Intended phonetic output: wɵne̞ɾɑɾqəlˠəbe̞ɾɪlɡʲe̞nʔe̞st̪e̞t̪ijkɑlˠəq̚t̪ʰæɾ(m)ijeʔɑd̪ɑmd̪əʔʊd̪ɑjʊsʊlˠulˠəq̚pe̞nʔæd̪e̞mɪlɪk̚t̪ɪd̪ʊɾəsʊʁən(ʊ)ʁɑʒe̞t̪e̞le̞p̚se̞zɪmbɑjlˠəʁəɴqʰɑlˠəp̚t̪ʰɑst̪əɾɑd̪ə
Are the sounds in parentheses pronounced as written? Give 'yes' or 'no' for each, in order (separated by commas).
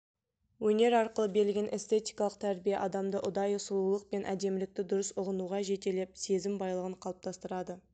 no, no